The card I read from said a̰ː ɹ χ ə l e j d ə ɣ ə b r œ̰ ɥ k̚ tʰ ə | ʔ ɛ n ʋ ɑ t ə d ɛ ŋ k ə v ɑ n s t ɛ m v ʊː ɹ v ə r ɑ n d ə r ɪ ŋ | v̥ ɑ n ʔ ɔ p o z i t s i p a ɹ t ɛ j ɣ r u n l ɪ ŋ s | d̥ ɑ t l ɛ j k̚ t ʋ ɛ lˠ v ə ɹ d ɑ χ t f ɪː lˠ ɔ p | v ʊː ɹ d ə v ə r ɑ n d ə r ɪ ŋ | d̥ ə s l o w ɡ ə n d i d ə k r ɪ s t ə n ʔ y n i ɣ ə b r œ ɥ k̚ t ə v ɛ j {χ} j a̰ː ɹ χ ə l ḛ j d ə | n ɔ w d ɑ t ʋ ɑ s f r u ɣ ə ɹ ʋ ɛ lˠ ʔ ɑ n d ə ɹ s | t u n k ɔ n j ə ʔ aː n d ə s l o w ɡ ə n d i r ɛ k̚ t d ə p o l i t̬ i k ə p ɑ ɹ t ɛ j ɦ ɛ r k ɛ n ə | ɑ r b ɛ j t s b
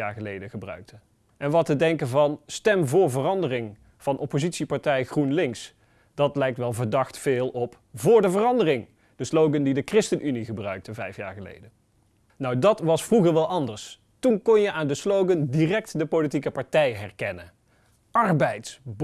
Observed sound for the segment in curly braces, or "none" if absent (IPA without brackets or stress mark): f